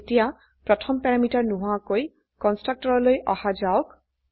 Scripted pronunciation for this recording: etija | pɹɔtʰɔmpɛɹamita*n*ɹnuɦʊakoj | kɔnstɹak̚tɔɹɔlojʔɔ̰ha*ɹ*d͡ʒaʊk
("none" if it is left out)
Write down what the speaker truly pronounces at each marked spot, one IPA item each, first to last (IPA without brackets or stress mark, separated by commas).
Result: none, none